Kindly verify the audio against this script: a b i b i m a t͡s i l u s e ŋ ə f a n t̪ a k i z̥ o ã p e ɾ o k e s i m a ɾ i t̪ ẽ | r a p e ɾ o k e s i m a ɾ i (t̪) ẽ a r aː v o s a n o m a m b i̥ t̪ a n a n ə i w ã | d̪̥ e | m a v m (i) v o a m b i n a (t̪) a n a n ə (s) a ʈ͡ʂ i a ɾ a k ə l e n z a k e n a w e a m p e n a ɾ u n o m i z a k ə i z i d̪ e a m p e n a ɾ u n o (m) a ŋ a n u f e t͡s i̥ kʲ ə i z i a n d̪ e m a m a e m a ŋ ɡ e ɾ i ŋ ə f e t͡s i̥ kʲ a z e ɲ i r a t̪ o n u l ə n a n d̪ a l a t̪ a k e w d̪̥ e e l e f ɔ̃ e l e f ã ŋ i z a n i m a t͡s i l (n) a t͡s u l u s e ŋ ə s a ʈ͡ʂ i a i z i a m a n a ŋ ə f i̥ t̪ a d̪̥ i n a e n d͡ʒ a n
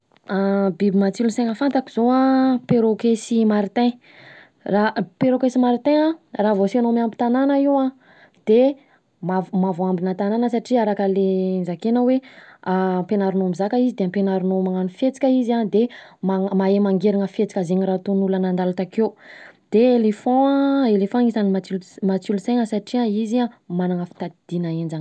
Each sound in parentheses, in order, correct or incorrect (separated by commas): correct, incorrect, correct, correct, correct, incorrect